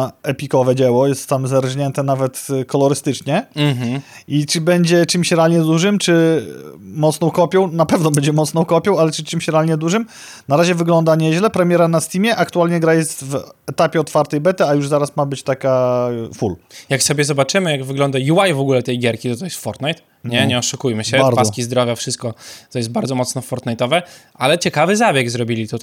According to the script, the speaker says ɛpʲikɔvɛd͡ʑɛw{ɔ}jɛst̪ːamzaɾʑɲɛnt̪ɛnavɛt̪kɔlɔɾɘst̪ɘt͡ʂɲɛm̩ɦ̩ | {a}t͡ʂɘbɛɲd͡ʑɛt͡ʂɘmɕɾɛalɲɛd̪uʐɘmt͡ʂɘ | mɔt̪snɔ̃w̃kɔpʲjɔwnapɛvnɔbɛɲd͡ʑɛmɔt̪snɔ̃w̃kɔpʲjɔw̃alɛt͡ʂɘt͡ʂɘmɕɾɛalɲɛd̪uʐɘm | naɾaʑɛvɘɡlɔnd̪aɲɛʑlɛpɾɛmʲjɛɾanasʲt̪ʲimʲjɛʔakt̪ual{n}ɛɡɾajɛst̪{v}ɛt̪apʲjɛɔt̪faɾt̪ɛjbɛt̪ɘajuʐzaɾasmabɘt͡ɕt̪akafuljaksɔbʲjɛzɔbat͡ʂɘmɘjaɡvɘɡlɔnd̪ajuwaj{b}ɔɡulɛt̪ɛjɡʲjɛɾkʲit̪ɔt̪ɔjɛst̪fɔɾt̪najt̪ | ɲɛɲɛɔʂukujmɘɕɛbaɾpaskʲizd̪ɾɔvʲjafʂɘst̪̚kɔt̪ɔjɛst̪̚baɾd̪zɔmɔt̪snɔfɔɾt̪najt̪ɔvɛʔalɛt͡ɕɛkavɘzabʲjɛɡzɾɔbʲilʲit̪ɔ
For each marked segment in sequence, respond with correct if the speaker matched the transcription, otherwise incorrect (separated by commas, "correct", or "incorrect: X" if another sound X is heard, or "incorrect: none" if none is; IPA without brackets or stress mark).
correct, incorrect: i, incorrect: ɲ, correct, incorrect: v